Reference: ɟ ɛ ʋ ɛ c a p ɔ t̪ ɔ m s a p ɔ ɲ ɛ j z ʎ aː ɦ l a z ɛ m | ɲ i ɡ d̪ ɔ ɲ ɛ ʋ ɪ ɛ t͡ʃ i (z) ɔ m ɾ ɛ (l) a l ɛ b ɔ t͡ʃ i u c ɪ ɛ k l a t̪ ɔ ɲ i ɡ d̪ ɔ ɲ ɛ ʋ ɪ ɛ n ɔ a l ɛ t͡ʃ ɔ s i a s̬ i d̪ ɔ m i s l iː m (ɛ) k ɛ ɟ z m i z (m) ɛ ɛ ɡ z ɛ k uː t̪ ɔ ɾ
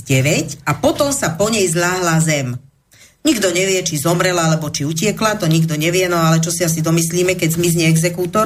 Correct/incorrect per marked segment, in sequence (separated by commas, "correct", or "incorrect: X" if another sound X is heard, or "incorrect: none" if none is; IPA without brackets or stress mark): correct, correct, correct, incorrect: ɲ